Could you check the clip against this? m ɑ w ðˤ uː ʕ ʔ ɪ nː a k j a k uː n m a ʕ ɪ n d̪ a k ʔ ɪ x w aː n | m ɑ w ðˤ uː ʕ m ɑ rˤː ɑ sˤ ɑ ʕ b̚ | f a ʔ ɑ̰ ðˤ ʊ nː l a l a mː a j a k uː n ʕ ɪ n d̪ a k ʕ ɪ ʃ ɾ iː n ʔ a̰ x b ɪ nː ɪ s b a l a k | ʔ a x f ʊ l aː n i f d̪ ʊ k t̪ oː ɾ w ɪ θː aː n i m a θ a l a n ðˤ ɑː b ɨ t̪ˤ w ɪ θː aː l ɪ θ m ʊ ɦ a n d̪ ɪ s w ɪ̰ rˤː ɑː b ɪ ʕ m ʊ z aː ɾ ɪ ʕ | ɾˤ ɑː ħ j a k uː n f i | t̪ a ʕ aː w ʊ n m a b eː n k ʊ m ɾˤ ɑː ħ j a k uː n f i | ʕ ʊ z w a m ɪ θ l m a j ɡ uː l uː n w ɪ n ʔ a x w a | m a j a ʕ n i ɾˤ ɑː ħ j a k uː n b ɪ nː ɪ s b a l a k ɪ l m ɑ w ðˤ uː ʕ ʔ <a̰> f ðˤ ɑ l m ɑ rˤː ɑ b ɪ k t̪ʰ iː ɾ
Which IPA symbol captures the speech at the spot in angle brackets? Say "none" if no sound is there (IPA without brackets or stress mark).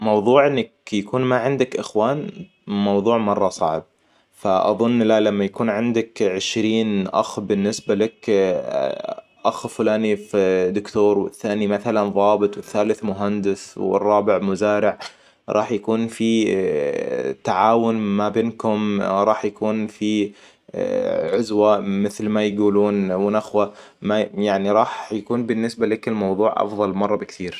ɑ̰